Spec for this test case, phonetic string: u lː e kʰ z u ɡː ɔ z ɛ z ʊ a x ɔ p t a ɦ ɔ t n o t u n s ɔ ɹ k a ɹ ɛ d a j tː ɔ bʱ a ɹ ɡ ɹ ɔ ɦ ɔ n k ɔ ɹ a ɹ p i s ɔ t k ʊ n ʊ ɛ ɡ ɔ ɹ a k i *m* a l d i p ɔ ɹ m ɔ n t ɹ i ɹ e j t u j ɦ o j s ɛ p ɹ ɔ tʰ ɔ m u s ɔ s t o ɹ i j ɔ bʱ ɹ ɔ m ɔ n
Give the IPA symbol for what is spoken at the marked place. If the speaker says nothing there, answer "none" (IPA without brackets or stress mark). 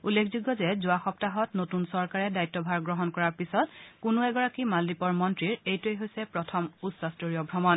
m